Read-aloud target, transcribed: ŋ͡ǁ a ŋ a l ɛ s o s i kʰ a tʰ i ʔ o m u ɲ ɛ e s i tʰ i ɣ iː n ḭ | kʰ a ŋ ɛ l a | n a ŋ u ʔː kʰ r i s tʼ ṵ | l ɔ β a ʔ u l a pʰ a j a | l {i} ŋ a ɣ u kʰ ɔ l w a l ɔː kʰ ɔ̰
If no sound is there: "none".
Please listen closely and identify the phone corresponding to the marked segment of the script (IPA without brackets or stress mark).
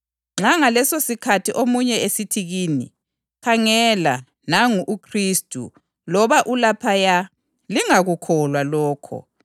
i